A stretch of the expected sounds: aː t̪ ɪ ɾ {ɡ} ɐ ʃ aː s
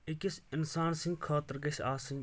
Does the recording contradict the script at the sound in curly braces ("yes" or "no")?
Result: no